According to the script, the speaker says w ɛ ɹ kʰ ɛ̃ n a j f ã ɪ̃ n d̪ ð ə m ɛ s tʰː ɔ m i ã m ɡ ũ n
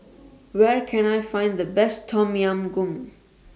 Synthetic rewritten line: w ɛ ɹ kʰ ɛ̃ n a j f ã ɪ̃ n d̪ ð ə b ɛ s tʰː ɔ m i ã m ɡ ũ m